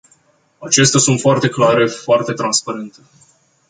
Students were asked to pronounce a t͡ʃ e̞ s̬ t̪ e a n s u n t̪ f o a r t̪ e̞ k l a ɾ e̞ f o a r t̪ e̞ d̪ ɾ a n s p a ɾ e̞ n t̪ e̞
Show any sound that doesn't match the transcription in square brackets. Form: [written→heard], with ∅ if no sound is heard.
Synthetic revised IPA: a t͡ʃ e̞ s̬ t̪ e a [n→∅] s u n t̪ f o a r t̪ e̞ k l a ɾ e̞ f o a r t̪ e̞ [d̪→t̪] ɾ a n s p a ɾ e̞ n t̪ e̞